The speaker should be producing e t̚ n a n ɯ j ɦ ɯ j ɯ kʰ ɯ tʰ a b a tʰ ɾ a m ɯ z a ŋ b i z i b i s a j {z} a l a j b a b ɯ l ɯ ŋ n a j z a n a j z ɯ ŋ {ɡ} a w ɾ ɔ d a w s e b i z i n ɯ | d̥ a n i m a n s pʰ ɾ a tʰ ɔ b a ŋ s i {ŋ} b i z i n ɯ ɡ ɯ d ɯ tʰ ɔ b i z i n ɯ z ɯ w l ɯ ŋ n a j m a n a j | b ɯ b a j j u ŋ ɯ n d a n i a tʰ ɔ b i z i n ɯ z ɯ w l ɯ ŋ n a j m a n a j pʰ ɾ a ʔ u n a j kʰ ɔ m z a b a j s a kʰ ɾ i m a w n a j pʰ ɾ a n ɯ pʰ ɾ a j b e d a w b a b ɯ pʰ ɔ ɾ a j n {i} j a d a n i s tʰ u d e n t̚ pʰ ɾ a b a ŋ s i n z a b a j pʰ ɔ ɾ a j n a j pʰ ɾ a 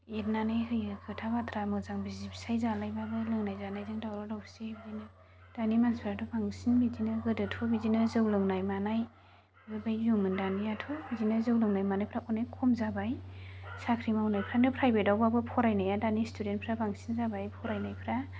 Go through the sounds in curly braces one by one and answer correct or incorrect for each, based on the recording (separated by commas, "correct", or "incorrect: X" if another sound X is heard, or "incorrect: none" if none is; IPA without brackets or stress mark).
correct, incorrect: d, incorrect: n, incorrect: a